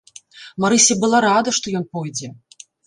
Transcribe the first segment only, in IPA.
m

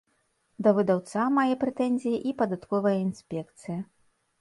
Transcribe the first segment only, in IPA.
d̪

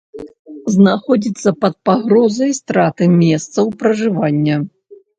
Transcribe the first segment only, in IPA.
z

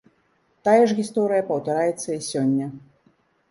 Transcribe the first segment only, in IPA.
t̪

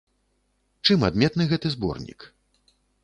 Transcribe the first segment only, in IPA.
t͡ʂ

